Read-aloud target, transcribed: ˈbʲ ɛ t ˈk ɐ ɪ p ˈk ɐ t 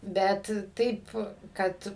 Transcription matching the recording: ˈbʲ ɛ t ˈt ɐ ɪ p ˈk ɐ t